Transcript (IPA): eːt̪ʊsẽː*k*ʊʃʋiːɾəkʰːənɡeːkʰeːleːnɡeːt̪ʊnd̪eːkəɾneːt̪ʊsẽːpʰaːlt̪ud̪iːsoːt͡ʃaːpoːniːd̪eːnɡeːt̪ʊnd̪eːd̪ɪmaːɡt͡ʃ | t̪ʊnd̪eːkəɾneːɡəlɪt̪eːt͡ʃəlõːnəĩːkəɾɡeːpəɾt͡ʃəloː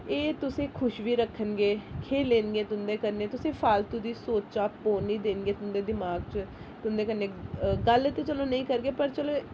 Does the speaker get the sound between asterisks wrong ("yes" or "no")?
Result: yes